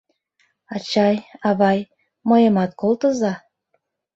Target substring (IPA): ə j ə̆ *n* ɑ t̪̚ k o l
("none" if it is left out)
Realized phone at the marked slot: m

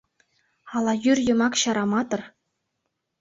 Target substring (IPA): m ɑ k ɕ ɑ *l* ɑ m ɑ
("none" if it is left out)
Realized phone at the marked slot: ɾ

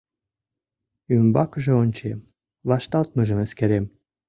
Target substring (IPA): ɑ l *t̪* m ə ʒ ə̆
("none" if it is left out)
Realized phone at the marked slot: t̪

